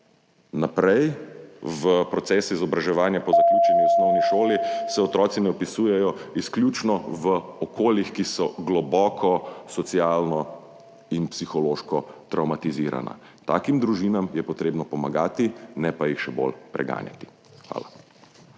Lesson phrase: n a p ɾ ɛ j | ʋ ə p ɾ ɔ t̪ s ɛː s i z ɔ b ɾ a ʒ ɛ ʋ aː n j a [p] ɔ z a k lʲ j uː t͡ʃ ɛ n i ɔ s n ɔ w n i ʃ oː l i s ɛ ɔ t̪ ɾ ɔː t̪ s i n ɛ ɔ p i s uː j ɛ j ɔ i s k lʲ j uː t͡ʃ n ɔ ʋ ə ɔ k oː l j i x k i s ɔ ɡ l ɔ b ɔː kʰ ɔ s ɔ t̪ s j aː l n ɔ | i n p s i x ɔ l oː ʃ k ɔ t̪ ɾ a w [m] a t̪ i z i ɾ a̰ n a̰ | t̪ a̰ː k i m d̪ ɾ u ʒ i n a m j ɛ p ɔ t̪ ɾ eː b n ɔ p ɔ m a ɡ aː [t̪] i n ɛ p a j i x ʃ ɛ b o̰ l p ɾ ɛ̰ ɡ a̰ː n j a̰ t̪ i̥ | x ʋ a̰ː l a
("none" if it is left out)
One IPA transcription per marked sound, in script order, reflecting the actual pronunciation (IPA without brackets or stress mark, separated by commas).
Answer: p, m, t̪